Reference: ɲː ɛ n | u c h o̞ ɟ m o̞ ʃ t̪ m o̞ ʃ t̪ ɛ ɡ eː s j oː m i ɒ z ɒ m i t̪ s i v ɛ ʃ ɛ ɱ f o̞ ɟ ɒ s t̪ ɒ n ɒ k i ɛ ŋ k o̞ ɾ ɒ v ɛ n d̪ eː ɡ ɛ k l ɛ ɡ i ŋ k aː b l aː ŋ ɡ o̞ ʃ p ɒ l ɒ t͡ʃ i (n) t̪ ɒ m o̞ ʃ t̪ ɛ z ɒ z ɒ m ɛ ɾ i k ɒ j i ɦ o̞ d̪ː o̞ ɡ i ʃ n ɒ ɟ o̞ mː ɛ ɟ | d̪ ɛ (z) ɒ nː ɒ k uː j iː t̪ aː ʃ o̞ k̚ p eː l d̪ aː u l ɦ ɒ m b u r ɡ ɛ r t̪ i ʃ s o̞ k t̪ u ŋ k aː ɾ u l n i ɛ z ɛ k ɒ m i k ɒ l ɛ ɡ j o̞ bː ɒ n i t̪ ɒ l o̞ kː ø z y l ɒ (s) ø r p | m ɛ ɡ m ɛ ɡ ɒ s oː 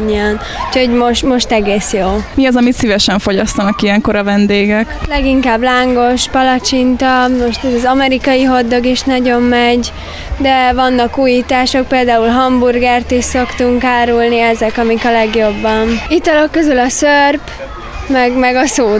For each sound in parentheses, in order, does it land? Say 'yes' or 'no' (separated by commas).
yes, no, yes